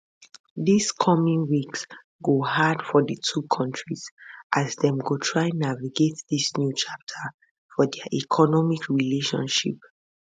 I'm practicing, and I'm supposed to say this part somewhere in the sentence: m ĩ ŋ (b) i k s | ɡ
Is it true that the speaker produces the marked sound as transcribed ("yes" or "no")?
no